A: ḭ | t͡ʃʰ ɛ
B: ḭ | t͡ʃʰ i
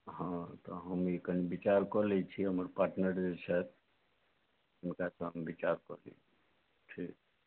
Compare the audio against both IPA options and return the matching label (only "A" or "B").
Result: B